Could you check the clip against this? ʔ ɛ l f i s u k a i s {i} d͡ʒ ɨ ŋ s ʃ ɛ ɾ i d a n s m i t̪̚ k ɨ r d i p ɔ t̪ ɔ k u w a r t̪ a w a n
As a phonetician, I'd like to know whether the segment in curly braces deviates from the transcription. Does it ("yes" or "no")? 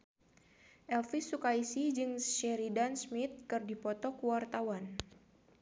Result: no